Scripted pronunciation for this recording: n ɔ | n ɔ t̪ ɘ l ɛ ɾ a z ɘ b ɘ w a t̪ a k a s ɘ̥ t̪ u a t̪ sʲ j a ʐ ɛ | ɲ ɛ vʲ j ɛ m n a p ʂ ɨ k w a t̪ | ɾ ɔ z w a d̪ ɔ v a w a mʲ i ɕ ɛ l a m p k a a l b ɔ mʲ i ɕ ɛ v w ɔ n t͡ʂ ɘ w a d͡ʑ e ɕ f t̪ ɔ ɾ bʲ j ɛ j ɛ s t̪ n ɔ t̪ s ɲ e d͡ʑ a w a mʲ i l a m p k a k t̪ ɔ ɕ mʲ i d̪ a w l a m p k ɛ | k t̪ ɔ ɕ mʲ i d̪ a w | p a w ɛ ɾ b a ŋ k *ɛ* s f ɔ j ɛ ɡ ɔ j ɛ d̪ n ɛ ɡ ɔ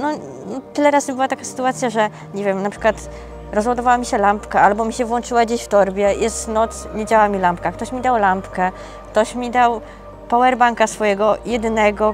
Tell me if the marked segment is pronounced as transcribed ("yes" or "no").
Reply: no